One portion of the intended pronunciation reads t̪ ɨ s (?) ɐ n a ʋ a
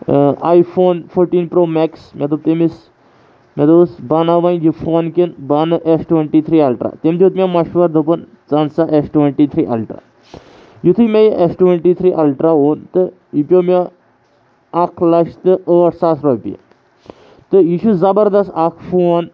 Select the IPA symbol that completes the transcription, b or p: b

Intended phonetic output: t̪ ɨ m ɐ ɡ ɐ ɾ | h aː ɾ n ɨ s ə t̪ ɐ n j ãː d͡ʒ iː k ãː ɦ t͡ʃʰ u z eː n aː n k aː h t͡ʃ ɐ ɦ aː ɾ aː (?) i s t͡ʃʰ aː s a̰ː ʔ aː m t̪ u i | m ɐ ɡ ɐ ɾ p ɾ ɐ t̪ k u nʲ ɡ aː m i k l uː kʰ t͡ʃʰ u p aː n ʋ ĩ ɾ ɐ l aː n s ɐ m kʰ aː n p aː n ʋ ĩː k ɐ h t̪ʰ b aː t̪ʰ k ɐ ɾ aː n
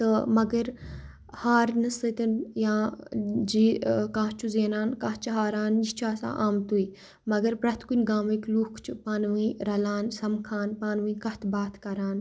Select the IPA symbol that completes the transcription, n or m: n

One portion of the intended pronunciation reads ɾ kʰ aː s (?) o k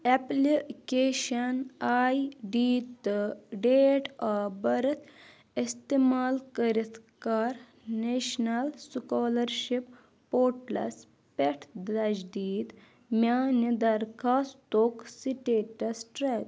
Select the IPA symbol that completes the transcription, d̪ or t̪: t̪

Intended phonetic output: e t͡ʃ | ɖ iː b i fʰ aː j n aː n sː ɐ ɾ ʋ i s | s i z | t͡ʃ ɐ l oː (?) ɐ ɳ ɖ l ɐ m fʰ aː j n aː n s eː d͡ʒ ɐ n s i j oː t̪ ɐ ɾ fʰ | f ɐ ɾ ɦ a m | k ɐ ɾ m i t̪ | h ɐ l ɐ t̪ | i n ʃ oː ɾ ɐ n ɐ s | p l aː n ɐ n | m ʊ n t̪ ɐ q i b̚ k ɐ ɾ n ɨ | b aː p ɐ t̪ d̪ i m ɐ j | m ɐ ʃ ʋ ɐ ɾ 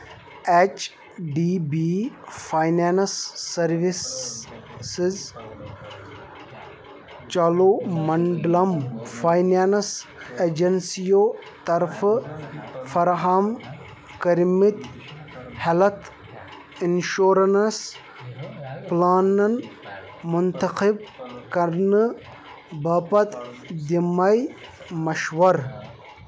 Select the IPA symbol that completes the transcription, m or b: m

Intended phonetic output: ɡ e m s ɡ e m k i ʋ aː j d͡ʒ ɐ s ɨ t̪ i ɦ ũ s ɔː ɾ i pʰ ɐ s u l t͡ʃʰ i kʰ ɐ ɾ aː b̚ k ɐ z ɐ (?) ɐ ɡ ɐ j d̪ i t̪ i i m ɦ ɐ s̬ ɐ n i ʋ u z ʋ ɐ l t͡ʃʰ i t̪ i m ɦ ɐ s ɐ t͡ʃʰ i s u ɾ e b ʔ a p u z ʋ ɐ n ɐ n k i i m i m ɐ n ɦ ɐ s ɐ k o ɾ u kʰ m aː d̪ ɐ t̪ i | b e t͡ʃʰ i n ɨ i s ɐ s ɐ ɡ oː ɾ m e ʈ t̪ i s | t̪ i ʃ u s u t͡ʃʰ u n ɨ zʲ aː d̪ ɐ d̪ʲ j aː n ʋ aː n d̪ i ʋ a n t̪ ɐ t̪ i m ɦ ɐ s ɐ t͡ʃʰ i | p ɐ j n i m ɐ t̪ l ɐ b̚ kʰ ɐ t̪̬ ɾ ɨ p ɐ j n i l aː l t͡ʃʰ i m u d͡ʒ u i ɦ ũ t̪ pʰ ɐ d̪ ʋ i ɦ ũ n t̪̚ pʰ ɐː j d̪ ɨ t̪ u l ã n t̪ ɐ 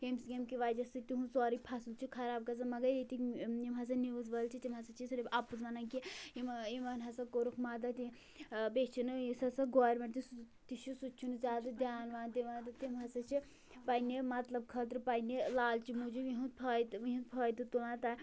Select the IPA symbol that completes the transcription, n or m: m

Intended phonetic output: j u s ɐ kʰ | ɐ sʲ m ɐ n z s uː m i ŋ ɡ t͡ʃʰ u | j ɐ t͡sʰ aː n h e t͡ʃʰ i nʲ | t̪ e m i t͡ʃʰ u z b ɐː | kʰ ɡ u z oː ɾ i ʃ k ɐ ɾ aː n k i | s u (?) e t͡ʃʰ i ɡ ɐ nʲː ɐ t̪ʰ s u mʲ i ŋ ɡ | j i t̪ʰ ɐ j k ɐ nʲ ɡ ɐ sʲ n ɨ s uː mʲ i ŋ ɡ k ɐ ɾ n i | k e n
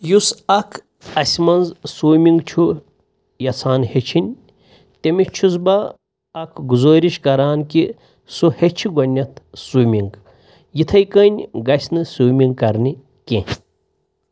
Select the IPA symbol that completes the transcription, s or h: h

